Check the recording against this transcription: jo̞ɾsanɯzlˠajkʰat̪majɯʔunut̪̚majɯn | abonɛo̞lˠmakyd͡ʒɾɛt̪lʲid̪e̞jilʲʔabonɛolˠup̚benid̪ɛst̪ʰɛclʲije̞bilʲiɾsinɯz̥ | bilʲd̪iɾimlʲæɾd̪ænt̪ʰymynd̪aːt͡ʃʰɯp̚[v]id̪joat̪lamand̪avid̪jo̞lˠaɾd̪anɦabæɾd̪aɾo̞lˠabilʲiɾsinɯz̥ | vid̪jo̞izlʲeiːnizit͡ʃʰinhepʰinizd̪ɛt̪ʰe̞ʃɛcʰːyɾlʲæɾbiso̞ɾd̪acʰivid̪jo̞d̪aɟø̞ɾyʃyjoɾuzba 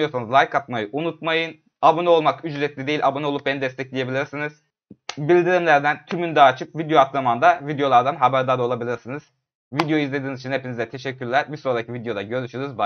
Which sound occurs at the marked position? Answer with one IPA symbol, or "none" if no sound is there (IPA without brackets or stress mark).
v